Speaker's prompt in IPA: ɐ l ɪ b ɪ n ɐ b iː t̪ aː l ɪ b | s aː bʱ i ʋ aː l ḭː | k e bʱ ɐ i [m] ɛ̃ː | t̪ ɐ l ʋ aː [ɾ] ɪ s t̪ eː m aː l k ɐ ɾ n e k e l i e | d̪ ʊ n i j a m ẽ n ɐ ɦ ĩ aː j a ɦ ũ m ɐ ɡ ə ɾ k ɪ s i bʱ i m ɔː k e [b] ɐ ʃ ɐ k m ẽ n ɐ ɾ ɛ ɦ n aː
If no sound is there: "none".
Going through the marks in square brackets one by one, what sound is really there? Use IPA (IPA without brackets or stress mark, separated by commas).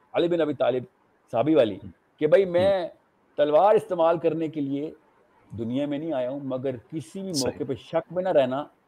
m, ɾ, p